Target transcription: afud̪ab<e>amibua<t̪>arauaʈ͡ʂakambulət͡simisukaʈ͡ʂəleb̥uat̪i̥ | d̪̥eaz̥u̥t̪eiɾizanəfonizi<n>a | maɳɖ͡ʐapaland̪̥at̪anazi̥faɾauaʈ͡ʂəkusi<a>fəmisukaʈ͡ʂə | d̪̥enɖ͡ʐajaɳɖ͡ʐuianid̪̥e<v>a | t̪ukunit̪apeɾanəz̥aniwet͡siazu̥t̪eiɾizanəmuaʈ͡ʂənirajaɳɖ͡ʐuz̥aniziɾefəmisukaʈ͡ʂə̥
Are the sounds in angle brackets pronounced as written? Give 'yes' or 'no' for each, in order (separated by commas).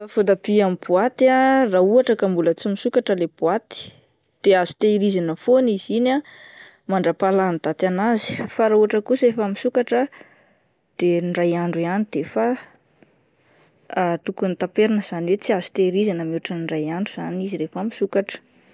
no, yes, yes, no, no